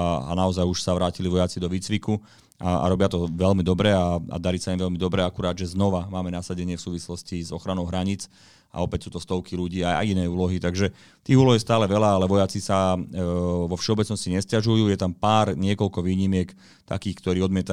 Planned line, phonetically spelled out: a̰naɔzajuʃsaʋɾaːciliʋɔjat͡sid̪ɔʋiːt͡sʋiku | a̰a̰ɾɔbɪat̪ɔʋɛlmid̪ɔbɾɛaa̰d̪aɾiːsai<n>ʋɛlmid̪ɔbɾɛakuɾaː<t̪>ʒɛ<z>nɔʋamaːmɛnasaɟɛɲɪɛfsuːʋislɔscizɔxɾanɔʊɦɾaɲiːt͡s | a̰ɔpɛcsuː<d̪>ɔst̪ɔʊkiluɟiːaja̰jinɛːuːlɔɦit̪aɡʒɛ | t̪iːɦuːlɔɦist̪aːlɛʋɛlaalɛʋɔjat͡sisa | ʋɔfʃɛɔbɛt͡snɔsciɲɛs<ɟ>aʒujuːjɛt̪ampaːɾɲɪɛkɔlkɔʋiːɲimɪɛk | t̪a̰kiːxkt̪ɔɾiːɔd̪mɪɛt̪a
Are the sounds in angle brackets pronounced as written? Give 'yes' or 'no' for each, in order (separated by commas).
no, no, yes, no, no